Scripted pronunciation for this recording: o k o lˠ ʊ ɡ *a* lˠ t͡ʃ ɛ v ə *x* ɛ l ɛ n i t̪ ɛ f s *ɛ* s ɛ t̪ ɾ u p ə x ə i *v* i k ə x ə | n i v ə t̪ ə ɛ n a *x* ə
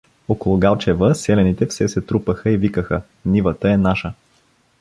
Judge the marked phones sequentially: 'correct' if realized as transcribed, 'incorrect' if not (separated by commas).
correct, incorrect, correct, correct, incorrect